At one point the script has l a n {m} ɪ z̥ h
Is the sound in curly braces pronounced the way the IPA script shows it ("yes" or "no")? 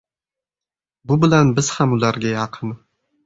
no